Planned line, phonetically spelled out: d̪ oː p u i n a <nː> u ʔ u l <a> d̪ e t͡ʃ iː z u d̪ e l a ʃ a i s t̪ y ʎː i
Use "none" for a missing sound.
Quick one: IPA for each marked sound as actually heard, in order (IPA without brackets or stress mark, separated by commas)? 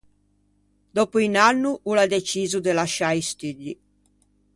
nː, a